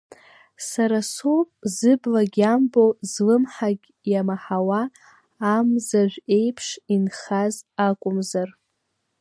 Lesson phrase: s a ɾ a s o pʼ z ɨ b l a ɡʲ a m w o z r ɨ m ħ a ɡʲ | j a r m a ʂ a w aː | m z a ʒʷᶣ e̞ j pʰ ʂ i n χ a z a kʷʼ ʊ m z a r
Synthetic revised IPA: s a ɾ a s o pʼ z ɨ b l a ɡʲ a m b o z l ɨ m ħ a ɡʲ | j a m a ħ a w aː | m z a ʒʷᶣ e̞ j pʰ ʂ i n χ a z a kʷʼ ʊ m z a r